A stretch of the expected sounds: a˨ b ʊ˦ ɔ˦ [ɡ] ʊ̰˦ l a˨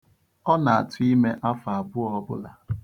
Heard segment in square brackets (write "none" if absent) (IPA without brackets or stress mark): b